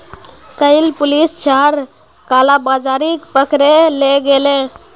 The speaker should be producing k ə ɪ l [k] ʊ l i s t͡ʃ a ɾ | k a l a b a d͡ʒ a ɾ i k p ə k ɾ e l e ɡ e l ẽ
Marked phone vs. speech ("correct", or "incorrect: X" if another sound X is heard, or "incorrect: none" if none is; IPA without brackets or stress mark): incorrect: p